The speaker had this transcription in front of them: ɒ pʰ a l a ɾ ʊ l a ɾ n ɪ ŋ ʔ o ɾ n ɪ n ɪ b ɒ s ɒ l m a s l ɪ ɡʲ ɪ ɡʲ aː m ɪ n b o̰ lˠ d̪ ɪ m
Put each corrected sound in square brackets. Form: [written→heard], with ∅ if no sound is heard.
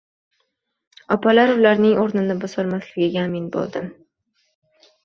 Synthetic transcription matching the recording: ɒ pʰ a l a ɾ ʊ l a ɾ n ɪ ŋ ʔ o ɾ n ɪ n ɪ b ɒ s ɒ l m a s l ɪ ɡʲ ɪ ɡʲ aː m ɪ n b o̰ lˠ d̪ ɪ m